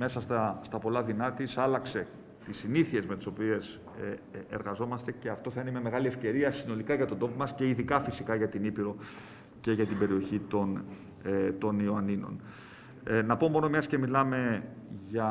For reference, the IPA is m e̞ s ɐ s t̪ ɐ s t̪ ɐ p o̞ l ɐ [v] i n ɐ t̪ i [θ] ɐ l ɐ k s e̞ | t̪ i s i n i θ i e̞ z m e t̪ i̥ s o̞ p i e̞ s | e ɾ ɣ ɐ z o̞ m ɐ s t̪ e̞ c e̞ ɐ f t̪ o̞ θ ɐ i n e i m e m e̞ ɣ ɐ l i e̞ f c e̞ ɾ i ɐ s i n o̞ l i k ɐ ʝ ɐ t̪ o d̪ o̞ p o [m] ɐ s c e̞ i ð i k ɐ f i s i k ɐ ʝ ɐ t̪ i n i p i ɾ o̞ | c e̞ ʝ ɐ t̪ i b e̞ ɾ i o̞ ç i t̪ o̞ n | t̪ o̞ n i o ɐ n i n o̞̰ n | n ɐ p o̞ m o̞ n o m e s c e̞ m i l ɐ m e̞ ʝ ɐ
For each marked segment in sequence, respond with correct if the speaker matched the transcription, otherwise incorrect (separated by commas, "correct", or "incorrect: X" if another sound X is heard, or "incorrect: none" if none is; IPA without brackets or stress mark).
incorrect: ð, incorrect: s, correct